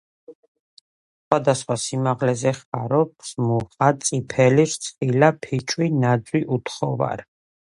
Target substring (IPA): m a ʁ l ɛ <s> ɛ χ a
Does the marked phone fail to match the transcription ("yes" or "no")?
yes